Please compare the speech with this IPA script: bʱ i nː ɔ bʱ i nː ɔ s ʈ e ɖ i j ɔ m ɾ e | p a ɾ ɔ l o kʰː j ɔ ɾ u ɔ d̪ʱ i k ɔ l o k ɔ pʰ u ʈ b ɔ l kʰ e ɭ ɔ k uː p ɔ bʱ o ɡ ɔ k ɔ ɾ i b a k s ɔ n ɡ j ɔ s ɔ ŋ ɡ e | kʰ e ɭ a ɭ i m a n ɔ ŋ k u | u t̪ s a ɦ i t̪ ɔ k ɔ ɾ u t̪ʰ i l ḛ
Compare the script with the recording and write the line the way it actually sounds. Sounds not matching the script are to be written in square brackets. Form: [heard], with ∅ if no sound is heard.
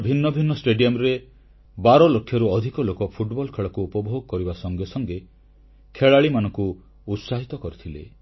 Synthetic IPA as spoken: bʱ i nː ɔ bʱ i nː ɔ s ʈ e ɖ i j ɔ m ɾ e | [b] a ɾ ɔ l o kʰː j ɔ ɾ u ɔ d̪ʱ i k ɔ l o k ɔ pʰ u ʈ b ɔ l kʰ e ɭ ɔ k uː p ɔ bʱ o ɡ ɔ k ɔ ɾ i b a [∅] s ɔ [ŋ] ɡ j ɔ s ɔ ŋ ɡ e | kʰ e ɭ a ɭ i m a n ɔ ŋ k u | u t̪ s a ɦ i t̪ ɔ k ɔ ɾ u t̪ʰ i l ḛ